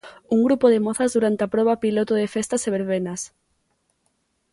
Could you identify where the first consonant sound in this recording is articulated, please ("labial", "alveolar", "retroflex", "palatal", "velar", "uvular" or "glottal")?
velar